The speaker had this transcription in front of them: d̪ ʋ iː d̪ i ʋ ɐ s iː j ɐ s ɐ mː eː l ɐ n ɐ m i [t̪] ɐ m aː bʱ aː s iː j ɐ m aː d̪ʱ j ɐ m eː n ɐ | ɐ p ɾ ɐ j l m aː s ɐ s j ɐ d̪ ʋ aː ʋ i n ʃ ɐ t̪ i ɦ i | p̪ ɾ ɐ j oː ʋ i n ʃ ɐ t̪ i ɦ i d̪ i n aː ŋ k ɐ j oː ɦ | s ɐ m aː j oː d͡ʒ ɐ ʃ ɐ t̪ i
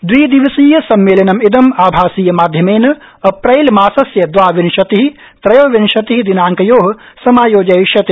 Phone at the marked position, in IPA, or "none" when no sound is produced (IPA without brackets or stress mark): d̪